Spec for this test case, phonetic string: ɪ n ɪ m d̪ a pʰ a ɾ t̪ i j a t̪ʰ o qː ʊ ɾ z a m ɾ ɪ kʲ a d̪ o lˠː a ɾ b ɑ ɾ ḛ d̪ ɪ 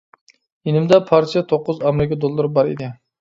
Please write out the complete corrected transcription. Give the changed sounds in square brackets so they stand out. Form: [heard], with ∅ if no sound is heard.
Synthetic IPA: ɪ n ɪ m d̪ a pʰ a ɾ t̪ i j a t̪ʰ o qː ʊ [∅] z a m ɾ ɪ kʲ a d̪ o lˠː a ɾ b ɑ ɾ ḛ d̪ ɪ